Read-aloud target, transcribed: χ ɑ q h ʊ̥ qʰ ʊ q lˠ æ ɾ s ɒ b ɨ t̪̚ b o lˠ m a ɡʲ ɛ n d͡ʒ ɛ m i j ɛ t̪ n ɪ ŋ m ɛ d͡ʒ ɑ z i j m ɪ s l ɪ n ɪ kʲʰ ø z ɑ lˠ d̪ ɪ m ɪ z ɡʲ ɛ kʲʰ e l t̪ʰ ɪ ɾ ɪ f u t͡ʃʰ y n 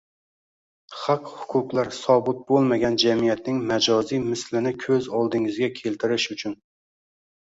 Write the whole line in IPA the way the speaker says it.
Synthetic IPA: χ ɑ q h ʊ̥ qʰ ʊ q lˠ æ ɾ s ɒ b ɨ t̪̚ b o lˠ m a ɡʲ ɛ n d͡ʒ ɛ m i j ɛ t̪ n ɪ ŋ m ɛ d͡ʒ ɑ z i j m ɪ s l ɪ n ɪ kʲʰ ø z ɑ lˠ d̪ ɪ ŋ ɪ z ɡʲ ɛ kʲʰ e l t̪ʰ ɪ ɾ ɪ ʃ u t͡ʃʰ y n